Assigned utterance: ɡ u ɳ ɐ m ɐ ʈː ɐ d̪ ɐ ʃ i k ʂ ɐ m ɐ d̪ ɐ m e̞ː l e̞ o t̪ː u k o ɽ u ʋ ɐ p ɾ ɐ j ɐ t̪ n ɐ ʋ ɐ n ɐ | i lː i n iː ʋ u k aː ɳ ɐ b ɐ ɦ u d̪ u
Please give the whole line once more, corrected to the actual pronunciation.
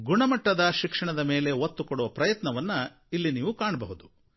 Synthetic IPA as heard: ɡ u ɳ ɐ m ɐ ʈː ɐ d̪ ɐ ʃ i k ʂ ɐ ɳ ɐ d̪ ɐ m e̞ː l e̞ o t̪ː u k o ɽ u ʋ ɐ p ɾ ɐ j ɐ t̪ n ɐ ʋ ɐ nː ɐ | i lː i n iː ʋ u k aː ɳ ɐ b ɐ ɦ u d̪ u